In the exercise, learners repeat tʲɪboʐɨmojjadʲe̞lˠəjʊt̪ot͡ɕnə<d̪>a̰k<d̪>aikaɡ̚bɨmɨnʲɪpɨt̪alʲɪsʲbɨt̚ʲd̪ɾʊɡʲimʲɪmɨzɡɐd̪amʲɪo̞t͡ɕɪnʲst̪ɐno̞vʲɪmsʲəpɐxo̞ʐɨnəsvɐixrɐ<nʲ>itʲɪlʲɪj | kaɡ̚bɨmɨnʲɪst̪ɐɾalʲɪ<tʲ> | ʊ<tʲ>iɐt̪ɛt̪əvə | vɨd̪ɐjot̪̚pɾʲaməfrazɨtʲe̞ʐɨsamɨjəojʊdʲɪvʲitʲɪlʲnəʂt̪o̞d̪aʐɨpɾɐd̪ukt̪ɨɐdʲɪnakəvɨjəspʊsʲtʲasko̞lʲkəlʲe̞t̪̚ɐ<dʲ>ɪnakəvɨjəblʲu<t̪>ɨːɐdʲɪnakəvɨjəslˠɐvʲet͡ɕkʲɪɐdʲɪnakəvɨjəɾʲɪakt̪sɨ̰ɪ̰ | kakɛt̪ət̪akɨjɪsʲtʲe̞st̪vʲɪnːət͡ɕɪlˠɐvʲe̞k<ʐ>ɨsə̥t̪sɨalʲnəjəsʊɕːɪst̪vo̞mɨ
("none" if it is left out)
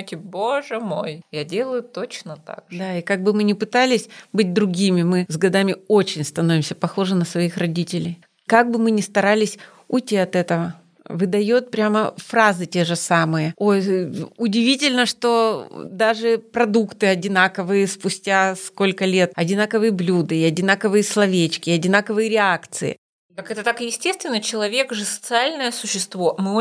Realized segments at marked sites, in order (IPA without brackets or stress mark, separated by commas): t̪, d̪, dʲ, sʲ, tʲ, dʲ, d̪, ʐ